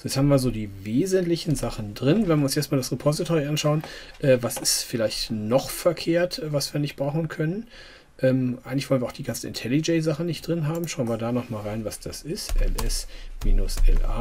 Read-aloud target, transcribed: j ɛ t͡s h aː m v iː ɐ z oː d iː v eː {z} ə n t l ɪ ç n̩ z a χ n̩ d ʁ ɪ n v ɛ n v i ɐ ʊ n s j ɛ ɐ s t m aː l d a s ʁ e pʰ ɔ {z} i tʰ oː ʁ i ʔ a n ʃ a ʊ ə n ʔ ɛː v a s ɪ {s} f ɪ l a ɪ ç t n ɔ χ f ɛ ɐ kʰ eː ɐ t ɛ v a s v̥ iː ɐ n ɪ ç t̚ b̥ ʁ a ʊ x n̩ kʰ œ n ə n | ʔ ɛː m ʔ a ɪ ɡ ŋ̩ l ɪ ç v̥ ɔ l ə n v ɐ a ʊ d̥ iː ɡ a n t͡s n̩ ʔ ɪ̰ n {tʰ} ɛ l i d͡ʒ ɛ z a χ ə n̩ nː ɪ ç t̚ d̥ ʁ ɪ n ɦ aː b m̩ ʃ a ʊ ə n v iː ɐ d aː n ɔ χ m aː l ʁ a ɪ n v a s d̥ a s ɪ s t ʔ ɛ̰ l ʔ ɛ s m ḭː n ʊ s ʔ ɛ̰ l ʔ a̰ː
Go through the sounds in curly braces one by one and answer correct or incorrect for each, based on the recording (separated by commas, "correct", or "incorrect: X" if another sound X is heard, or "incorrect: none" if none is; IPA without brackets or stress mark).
correct, correct, correct, correct